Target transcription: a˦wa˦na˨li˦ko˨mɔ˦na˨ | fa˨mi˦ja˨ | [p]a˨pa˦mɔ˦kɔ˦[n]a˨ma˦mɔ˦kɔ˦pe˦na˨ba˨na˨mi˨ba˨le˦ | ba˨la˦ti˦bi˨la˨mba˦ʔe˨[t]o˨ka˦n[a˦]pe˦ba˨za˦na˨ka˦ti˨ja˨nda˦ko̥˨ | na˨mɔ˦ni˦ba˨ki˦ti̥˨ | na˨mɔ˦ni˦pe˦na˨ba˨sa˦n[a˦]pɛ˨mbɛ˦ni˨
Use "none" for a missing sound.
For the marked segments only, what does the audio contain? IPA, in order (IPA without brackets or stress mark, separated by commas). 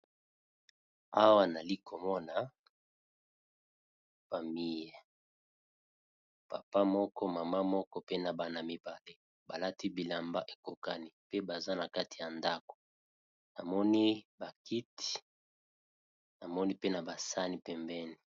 p, m, k, i˦, i˦